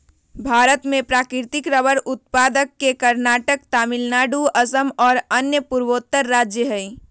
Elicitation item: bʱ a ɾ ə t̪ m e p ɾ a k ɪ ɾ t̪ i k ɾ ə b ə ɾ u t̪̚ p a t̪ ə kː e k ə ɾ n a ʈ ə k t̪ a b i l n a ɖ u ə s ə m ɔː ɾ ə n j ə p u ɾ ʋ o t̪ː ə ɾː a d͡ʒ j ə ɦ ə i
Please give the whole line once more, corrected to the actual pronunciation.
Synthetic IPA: bʱ a ɾ ə t̪ m e p ɾ a k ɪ ɾ t̪ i k ɾ ə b ə ɾ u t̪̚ p a d̪ ə kː e k ə ɾ n a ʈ ə k t̪ a m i l n a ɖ u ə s ə m ɔː ɾ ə n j ə p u ɾ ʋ o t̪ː ə ɾː a d͡ʒ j ə ɦ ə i

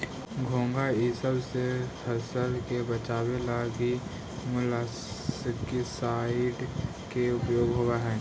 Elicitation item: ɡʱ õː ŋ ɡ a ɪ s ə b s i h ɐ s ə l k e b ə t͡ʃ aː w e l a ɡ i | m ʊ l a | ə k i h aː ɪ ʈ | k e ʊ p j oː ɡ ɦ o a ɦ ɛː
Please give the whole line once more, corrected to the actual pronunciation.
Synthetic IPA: ɡʱ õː ŋ ɡ a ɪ s ə b s e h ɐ s ə l k e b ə t͡ʃ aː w e l a ɡ i | m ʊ l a | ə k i s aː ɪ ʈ | k e ʊ p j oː ɡ ɦ o a ɦ ɛː

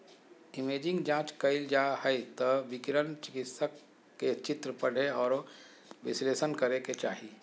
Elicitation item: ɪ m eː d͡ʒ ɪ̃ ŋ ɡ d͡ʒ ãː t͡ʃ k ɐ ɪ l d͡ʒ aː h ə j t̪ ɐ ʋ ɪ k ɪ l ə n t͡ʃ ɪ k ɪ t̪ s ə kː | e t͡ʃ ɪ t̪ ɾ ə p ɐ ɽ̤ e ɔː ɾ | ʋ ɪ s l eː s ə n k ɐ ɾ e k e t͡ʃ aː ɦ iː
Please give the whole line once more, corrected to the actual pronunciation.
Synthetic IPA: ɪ m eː d͡ʒ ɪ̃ ŋ ɡ d͡ʒ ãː t͡ʃ k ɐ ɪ l d͡ʒ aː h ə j t̪ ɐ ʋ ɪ k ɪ ɾ ə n t͡ʃ ɪ k ɪ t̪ s ə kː | e t͡ʃ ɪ t̪ ɾ ə p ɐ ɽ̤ e ɔː ɾ | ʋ ɪ s l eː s ə n k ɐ ɾ e k e t͡ʃ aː ɦ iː

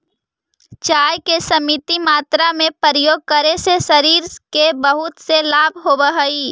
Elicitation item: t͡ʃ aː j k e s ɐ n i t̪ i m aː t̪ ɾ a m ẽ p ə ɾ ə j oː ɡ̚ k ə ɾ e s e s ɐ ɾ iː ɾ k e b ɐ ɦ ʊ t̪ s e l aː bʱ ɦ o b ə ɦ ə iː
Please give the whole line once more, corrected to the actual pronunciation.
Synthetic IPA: t͡ʃ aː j k e s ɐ m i t̪ i m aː t̪ ɾ a m ẽ p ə ɾ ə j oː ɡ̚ k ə ɾ e s e s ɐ ɾ iː ɾ k e b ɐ ɦ ʊ t̪ s e l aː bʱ ɦ o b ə ɦ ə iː

